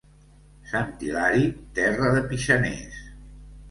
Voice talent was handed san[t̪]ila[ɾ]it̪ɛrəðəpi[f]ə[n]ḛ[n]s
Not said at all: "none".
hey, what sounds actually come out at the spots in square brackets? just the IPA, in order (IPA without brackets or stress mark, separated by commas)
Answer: t̪, ɾ, ʃ, n, none